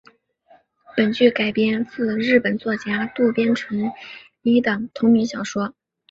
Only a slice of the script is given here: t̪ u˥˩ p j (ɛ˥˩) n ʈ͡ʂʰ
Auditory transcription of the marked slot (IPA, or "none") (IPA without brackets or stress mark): ɛ˥